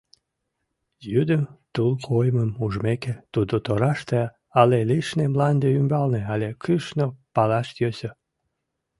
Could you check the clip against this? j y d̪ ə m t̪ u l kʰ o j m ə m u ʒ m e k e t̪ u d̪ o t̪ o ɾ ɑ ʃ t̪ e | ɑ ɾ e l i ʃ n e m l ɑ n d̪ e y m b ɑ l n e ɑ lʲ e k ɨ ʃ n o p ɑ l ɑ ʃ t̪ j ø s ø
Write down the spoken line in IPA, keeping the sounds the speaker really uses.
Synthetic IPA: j y d̪ ə m t̪ u l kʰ o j m ə m u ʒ m e k e t̪ u d̪ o t̪ o ɾ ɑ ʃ t̪ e | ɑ l e l i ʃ n e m l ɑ n d̪ e y m b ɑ l n e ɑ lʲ e k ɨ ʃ n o p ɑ l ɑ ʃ t̪ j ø s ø